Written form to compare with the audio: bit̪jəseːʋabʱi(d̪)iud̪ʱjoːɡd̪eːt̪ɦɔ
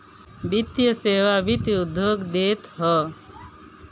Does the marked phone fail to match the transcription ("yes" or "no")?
yes